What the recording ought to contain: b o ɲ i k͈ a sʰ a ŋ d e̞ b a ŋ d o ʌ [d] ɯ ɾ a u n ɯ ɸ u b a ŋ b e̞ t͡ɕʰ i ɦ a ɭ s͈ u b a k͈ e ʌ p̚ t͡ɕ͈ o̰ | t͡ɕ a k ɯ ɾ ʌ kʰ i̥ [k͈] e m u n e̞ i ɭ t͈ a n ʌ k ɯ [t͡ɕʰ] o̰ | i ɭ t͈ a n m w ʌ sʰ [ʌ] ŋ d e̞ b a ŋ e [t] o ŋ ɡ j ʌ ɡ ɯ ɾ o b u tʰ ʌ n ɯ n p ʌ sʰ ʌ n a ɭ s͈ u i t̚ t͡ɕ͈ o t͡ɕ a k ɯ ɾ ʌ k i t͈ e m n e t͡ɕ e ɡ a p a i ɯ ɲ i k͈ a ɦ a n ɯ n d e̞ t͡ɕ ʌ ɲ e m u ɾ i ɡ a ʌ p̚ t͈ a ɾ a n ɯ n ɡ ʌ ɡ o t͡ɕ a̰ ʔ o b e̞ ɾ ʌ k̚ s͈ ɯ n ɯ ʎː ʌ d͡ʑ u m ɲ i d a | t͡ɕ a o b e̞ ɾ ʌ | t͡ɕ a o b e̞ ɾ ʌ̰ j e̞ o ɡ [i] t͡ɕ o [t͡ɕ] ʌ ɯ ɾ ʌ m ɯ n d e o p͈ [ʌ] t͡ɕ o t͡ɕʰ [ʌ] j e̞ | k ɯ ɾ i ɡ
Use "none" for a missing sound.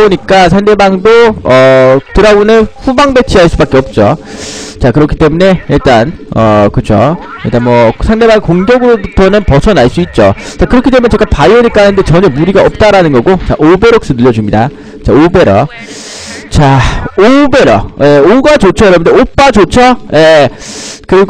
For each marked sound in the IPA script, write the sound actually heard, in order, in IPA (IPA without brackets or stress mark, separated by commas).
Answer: t, t͈, t͡ɕʰ, a, k, a, t͡ɕʰ, a, ʌ